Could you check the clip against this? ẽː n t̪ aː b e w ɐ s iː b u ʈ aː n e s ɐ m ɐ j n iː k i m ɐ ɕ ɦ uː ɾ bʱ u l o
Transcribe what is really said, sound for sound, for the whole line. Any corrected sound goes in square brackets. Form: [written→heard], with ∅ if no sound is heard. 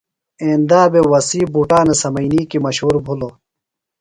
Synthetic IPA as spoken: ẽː n [t̪→d̪] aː b e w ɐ s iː b u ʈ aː n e s ɐ m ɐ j n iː k i m ɐ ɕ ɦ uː ɾ bʱ u l o